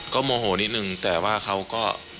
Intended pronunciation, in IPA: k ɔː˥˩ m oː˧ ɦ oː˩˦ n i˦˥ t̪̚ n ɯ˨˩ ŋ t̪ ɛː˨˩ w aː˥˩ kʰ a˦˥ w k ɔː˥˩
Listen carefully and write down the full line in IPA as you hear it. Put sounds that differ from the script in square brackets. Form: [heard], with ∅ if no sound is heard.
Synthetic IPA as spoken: k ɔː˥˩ m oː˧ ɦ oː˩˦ n i˦˥ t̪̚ n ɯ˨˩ ŋ t̪ ɛː˨˩ w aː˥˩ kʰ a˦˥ w k ɔː˥˩